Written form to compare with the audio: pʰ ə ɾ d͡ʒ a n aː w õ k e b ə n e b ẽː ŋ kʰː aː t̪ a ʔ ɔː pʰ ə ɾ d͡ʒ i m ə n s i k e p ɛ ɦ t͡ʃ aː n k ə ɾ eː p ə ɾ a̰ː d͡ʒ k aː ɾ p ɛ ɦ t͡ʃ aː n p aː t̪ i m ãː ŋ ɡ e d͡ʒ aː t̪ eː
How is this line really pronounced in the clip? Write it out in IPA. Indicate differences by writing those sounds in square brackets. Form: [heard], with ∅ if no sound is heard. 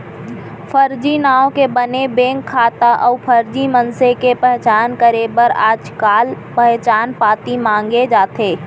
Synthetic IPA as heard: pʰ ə ɾ d͡ʒ [i] n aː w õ k e b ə n e b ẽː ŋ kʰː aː t̪ a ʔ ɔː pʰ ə ɾ d͡ʒ i m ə n s [e] k e p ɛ ɦ t͡ʃ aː n k ə ɾ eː [b] ə ɾ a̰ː d͡ʒ k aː [l] p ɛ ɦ t͡ʃ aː n p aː t̪ i m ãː ŋ ɡ e d͡ʒ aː t̪ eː